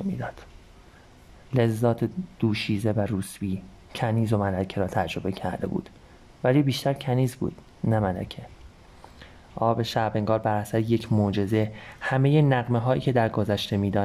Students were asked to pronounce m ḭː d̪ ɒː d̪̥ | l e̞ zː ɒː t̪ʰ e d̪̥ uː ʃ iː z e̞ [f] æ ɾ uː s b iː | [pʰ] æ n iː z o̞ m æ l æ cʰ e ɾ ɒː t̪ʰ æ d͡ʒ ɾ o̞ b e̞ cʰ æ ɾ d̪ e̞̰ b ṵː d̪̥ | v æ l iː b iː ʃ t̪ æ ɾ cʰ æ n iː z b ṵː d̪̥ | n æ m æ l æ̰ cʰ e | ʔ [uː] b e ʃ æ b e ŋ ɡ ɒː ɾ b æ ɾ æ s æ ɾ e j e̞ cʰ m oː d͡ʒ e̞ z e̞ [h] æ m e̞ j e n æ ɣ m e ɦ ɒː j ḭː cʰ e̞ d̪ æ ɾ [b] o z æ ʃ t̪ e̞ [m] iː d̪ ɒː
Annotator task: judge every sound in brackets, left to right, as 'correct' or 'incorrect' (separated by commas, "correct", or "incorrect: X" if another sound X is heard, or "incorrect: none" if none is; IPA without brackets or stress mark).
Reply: incorrect: v, incorrect: cʰ, incorrect: ɒː, correct, incorrect: ɡ, correct